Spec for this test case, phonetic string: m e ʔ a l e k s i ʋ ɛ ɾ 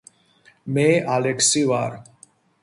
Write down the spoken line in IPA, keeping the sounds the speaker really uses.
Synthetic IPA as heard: m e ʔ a l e k s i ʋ a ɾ